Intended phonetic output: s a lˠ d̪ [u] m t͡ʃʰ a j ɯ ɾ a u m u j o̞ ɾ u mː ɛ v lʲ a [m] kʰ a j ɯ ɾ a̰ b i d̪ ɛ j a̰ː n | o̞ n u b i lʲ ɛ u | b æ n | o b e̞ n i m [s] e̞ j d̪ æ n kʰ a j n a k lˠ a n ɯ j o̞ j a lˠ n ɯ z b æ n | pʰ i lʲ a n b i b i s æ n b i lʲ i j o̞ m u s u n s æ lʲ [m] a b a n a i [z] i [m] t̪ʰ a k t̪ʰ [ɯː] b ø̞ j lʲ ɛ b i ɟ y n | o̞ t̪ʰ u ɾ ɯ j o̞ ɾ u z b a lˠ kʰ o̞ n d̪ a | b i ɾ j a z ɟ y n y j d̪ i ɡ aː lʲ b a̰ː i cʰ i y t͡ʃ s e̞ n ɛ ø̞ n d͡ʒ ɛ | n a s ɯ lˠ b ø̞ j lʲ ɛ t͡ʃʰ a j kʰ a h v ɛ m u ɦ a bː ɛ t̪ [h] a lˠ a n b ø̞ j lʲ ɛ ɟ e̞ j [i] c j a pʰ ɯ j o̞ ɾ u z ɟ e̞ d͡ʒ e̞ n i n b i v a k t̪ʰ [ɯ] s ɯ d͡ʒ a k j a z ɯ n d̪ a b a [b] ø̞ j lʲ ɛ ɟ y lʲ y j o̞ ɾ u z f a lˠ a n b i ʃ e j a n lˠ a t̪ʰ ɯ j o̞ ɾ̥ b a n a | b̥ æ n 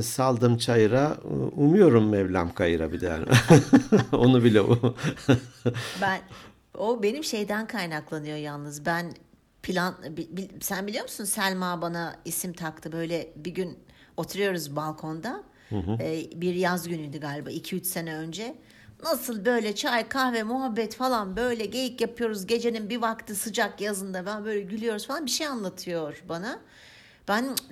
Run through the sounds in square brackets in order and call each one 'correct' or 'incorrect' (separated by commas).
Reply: incorrect, correct, incorrect, correct, incorrect, correct, incorrect, incorrect, correct, correct, correct